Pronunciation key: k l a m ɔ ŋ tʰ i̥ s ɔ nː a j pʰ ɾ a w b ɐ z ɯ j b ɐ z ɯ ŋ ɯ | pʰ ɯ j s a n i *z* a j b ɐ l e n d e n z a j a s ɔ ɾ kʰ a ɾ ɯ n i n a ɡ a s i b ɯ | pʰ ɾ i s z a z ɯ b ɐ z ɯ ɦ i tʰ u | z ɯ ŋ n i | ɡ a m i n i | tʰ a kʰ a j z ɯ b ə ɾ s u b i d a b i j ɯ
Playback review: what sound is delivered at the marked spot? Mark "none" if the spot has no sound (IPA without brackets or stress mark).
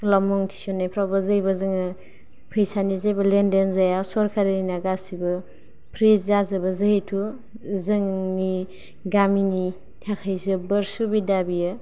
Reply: z